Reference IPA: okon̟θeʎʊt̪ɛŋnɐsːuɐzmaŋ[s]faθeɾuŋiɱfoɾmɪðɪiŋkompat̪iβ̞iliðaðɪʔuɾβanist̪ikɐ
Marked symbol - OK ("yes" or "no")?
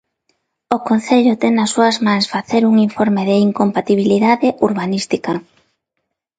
yes